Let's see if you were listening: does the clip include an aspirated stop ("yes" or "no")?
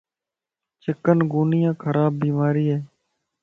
yes